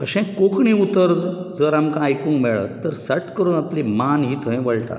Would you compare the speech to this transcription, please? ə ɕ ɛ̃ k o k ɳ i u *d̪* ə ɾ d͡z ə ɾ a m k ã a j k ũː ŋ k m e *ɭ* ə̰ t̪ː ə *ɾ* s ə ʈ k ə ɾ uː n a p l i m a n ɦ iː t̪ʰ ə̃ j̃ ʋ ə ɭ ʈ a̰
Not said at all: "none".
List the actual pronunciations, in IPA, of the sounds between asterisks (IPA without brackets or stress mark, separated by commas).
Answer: t̪, ɭ, ɾ